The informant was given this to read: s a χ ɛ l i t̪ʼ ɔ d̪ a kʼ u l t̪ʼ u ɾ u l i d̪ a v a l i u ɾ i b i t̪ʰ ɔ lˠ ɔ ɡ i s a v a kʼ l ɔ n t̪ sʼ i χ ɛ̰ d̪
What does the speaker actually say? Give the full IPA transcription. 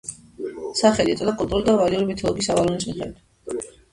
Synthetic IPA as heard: s a χ ɛ l i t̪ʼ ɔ d̪ a kʼ u l t̪ʼ u ɾ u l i d̪ a v a l i u ɾ i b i t̪ʰ ɔ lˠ ɔ ɡ i s a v a l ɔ n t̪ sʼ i χ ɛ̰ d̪